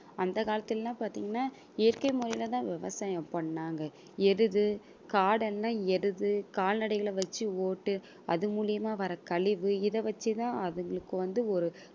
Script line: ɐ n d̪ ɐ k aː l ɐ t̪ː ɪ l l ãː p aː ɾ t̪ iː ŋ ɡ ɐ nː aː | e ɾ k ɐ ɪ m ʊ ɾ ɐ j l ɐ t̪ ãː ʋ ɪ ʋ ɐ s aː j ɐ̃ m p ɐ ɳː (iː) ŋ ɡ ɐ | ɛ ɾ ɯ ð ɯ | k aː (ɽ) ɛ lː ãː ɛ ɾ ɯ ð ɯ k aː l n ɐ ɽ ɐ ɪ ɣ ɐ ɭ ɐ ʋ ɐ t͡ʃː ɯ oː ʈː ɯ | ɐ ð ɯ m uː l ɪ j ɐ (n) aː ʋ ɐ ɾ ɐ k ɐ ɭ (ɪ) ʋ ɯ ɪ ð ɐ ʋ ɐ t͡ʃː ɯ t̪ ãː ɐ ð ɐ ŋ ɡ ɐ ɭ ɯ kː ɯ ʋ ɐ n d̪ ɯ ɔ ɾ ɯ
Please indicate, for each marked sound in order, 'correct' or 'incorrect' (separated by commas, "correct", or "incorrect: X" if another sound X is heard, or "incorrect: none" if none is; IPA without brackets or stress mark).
incorrect: aː, correct, incorrect: m, correct